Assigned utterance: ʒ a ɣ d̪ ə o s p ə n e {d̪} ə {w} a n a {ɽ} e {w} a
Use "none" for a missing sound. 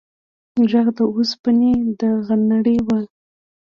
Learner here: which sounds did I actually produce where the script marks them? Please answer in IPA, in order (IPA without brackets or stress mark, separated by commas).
d̪, ɣ, ɽ, w